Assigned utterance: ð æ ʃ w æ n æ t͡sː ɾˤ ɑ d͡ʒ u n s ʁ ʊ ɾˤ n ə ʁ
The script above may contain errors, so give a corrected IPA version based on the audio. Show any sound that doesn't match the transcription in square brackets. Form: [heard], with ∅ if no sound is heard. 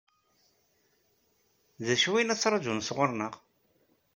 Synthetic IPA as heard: ð æ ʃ w [i] n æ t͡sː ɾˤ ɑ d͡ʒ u n s ʁ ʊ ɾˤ n ə ʁ